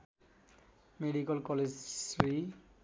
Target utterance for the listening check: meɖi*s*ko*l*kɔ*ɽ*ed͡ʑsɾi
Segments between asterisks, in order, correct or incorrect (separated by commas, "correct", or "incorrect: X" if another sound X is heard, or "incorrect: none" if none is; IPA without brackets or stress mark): incorrect: none, correct, incorrect: l